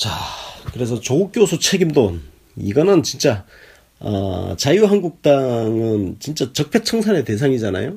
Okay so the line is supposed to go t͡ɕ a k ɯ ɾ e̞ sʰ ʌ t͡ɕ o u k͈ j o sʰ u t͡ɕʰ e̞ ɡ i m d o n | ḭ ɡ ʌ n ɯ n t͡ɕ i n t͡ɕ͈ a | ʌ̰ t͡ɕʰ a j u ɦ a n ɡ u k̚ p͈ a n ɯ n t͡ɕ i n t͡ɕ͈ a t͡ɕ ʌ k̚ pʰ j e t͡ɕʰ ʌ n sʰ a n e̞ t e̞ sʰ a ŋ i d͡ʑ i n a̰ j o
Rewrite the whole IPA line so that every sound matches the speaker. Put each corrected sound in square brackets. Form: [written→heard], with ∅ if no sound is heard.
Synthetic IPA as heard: t͡ɕ a k ɯ ɾ e̞ sʰ ʌ t͡ɕ o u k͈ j o sʰ u t͡ɕʰ e̞ ɡ i m d o n | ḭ ɡ ʌ n ɯ n t͡ɕ i n t͡ɕ͈ a | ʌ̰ [t͡ɕʰ→t͡ɕ] a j u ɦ a n ɡ u k̚ [p͈→t͈] a [n→ŋ] ɯ n t͡ɕ i n t͡ɕ͈ a t͡ɕ ʌ k̚ pʰ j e t͡ɕʰ ʌ [n→ŋ] sʰ a n e̞ t e̞ sʰ a ŋ i d͡ʑ [i→a] n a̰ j o